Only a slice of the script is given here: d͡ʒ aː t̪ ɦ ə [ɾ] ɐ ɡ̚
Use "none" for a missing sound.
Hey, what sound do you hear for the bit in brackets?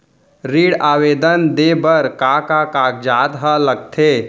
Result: l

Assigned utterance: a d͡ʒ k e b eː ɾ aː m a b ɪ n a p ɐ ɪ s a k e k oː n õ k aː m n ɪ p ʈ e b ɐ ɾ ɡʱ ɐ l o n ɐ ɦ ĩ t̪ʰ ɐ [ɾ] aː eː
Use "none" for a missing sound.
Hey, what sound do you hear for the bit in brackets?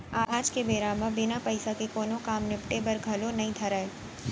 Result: ɾ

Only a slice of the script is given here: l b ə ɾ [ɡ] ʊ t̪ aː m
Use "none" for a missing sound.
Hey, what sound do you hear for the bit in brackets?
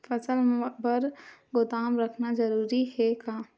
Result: ɡ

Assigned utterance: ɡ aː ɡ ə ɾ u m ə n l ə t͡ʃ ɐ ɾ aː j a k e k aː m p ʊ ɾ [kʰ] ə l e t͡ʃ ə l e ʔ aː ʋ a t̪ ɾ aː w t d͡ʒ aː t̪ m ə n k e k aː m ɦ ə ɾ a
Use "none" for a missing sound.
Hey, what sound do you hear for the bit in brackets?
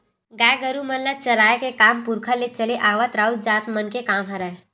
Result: kʰ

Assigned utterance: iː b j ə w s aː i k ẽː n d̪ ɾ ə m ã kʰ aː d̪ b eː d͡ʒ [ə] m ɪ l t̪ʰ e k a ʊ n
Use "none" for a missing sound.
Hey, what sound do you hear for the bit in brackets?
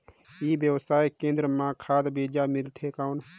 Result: a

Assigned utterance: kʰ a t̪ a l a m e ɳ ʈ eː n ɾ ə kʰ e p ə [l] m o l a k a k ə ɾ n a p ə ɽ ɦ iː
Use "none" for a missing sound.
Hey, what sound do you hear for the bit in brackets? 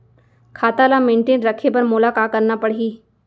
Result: ɾ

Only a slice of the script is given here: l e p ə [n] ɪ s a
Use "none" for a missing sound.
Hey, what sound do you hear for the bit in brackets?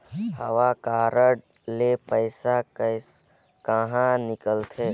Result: none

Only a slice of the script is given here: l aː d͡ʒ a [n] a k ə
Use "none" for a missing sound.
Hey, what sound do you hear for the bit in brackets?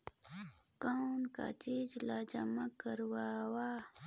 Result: m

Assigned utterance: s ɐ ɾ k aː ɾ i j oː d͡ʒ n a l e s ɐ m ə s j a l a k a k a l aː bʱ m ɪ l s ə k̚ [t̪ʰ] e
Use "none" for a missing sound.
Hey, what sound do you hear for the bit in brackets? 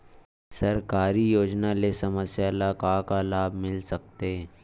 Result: t̪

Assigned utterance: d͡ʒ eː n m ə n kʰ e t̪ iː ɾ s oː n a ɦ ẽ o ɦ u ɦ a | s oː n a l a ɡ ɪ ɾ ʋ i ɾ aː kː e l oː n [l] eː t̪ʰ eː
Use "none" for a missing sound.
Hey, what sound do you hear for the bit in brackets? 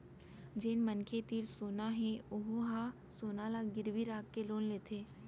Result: l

